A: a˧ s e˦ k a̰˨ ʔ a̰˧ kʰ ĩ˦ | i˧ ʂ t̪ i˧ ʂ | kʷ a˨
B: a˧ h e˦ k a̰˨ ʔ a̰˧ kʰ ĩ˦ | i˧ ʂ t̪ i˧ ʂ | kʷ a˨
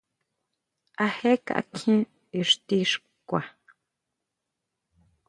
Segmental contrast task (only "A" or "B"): B